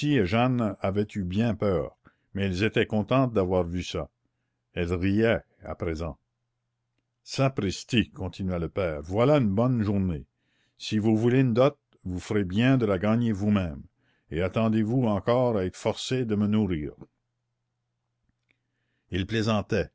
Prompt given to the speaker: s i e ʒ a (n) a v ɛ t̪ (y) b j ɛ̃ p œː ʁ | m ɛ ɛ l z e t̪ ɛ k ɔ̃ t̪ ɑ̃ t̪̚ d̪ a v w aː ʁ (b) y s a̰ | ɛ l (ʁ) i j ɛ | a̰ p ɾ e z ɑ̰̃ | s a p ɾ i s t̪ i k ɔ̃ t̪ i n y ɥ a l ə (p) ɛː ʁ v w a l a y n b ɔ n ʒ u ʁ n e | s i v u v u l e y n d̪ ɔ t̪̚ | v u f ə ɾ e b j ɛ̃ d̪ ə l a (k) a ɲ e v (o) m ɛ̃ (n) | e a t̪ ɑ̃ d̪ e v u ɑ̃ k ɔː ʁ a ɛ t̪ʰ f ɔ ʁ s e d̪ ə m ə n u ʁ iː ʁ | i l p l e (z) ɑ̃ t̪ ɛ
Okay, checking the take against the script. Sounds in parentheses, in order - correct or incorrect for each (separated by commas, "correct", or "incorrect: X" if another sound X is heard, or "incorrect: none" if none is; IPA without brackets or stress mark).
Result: correct, correct, incorrect: v, correct, correct, incorrect: ɡ, incorrect: u, incorrect: m, correct